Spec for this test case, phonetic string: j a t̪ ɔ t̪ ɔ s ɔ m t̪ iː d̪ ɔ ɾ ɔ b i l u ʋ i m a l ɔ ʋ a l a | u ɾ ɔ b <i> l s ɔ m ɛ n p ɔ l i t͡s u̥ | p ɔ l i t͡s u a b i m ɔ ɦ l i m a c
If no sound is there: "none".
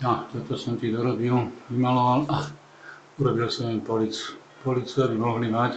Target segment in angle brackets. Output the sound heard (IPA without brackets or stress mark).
i